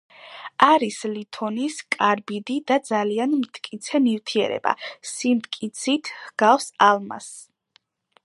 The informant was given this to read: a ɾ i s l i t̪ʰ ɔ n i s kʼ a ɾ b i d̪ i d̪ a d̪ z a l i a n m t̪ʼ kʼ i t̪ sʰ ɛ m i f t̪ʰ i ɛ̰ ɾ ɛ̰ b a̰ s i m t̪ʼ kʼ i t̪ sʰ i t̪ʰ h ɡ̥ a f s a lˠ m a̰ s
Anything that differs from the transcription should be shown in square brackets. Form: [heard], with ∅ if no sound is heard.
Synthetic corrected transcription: a ɾ i s l i t̪ʰ ɔ n i s kʼ a ɾ b i d̪ i d̪ a d̪ z a l i a n m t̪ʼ kʼ i t̪ sʰ ɛ m i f t̪ʰ i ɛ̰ ɾ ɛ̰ b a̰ s i m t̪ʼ kʼ i t̪ sʰ i t̪ʰ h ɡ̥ a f s a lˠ m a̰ s